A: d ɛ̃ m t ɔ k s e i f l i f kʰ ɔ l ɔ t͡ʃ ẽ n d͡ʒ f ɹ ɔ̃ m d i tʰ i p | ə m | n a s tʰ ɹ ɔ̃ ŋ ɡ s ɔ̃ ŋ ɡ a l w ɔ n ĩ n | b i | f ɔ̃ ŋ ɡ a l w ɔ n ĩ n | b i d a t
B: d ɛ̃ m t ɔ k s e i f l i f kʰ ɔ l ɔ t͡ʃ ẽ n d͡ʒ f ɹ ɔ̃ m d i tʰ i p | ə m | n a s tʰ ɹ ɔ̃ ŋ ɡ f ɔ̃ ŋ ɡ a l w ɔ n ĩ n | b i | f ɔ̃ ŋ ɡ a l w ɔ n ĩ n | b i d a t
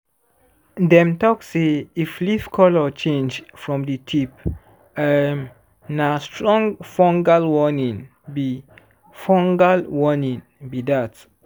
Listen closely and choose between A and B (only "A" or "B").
B